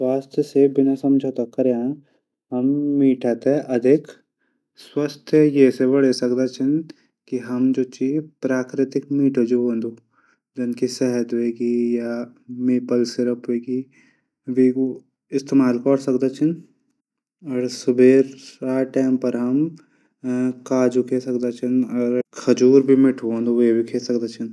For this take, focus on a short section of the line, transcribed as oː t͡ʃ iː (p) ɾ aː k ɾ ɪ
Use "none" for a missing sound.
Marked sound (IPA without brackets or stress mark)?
p